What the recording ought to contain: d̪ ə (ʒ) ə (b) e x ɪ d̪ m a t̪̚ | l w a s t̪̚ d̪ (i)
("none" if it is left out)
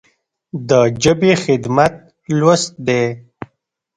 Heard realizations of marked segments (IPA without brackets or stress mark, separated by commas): d͡ʒ, b, e